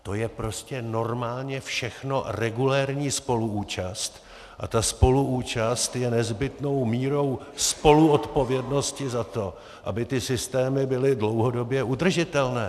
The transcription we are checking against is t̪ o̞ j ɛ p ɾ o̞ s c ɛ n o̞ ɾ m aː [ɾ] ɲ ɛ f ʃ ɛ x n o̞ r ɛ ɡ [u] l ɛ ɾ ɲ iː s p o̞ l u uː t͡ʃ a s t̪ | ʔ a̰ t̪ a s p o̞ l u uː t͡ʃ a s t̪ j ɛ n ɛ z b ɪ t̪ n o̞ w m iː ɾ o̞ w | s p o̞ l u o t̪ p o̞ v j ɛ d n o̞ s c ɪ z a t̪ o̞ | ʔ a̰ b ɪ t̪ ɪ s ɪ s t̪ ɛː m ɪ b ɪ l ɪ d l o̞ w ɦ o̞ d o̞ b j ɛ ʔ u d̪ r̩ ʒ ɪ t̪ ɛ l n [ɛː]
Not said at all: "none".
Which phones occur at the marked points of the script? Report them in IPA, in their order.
l, u, ɛː

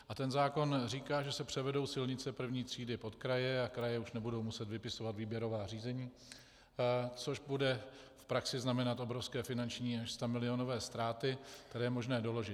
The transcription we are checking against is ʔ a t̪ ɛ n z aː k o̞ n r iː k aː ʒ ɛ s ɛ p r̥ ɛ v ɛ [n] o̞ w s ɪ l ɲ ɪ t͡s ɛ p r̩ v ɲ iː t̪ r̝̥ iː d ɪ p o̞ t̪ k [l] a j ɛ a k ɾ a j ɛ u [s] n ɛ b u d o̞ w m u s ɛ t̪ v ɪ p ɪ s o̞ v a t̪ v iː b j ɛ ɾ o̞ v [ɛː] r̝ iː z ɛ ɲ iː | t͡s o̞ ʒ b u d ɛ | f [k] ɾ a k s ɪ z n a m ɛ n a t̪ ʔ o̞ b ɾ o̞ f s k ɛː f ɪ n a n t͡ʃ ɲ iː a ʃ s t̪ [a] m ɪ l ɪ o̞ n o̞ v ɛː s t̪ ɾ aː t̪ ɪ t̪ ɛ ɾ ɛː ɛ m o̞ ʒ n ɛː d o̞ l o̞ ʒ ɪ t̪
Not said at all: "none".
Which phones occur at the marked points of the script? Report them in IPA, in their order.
d, ɾ, ʃ, aː, p, a

